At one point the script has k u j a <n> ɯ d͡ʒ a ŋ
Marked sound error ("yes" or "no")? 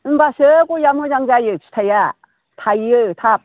yes